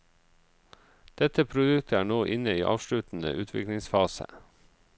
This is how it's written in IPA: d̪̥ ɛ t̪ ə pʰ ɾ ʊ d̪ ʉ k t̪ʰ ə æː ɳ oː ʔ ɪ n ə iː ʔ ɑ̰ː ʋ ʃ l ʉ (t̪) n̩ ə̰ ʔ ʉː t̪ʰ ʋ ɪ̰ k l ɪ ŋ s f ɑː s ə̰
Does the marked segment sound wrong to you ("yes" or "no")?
no